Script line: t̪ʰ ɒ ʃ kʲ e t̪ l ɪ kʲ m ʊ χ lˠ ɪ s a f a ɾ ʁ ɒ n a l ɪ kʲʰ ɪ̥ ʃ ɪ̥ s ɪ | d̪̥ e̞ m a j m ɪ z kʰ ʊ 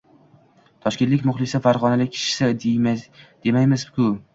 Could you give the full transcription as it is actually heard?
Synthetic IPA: t̪ʰ ɒ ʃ kʲ e t̪ l ɪ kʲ m ʊ χ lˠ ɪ s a f a ɾ ʁ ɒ n a l ɪ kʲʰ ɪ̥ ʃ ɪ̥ s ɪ | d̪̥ e̞ m a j m ɪ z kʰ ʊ